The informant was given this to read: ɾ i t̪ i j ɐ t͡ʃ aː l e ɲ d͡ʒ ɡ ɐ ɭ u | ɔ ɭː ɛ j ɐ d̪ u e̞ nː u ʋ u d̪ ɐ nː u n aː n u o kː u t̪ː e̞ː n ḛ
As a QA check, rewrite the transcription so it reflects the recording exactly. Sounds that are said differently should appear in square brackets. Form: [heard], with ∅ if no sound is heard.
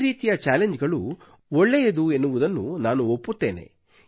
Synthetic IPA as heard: ɾ [iː] t̪ i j ɐ t͡ʃ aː l e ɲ d͡ʒ ɡ ɐ ɭ u | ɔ ɭː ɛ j ɐ d̪ u e̞ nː u ʋ u d̪ ɐ nː u n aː n u o [pː] u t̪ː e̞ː n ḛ

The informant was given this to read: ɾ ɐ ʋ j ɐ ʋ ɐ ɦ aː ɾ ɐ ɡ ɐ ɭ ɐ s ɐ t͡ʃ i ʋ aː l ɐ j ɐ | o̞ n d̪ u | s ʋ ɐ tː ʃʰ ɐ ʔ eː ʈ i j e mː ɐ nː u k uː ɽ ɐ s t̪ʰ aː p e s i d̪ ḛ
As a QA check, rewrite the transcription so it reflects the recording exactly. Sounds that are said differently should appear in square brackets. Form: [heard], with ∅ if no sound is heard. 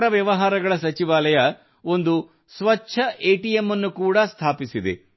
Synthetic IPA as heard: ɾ ɐ ʋ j ɐ ʋ ɐ ɦ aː ɾ ɐ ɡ ɐ ɭ ɐ s ɐ t͡ʃ i ʋ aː l ɐ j ɐ | o̞ n d̪ u | s ʋ ɐ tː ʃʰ ɐ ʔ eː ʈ i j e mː ɐ nː u k uː ɽ ɐ s t̪ʰ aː p [i] s i d̪ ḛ

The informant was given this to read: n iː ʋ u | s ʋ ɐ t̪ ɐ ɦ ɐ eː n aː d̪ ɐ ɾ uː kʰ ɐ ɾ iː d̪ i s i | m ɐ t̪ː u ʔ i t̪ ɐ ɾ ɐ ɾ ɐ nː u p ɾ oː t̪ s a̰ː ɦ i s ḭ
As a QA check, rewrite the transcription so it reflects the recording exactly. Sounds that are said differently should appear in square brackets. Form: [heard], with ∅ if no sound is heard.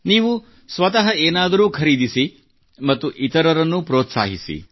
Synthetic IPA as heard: n iː ʋ u | s ʋ ɐ t̪ ɐ ɦ ɐ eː n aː d̪ ɐ ɾ uː kʰ ɐ ɾ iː d̪ i s i | m ɐ t̪ː u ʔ i t̪ ɐ ɾ ɐ ɾ ɐ nː u p ɾ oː t̪ s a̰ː ɦ i s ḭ

